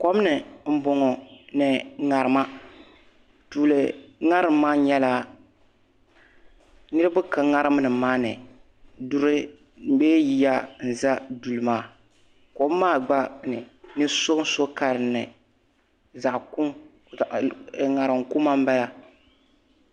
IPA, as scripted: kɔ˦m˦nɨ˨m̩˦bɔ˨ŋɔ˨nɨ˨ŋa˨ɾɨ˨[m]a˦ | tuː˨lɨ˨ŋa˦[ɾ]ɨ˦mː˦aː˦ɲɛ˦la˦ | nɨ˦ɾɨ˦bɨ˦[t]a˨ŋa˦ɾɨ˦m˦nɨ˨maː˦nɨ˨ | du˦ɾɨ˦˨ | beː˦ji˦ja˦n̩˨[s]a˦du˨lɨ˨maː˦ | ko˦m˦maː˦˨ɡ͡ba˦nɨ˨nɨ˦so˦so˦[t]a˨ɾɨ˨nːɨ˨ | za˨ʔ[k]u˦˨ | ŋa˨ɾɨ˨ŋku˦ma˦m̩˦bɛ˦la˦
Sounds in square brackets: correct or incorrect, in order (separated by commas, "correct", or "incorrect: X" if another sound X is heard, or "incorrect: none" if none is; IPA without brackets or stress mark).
correct, correct, incorrect: k, incorrect: z, incorrect: k, correct